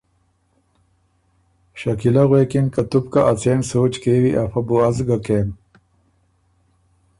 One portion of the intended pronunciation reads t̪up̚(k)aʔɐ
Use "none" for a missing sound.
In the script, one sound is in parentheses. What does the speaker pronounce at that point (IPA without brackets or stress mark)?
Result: k